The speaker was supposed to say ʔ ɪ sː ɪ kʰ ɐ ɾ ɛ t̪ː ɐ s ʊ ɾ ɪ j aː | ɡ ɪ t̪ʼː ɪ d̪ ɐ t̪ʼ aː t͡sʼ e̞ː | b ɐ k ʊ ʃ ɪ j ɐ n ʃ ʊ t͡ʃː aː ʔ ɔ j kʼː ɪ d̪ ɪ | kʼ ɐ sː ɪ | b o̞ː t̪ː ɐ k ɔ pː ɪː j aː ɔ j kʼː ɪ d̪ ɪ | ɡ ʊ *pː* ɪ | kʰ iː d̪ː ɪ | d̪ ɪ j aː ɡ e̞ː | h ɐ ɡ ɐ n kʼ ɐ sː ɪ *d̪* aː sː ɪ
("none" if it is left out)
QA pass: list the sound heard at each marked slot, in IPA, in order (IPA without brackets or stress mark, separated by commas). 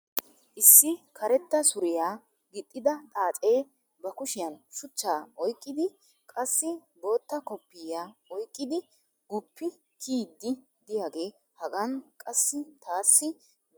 pː, t̪